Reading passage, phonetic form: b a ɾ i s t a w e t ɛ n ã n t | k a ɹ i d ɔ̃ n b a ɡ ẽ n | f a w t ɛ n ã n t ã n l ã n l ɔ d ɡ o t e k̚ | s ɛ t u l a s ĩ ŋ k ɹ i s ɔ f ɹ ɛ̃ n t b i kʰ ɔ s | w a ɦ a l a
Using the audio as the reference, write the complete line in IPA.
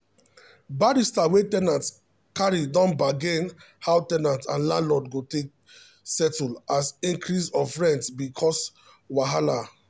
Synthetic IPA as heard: b a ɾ i s t a w e t ɛ n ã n t | k a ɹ i d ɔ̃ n b a ɡ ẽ n | h a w t ɛ n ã n t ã n l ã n l ɔ d ɡ o t e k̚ | s ɛ t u l a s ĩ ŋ k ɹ i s ɔ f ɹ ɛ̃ n t b i kʰ ɔ s | w a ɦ a l a